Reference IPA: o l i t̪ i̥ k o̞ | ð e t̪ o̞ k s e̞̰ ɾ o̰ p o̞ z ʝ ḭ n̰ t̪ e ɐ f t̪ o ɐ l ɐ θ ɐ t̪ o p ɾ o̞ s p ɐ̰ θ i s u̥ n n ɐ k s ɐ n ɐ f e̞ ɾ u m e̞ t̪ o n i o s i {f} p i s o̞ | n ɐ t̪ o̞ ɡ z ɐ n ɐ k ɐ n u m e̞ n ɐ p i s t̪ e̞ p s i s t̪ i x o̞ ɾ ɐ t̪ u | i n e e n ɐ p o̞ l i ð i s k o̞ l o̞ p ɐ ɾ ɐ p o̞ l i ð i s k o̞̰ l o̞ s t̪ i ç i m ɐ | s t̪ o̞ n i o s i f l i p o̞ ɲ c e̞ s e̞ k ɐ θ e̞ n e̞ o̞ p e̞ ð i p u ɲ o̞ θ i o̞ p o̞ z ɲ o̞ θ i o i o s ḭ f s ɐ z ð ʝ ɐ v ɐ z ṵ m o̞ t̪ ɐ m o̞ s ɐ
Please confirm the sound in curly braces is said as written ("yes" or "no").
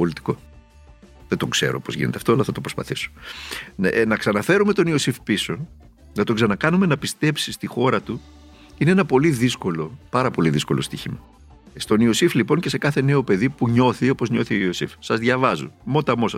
yes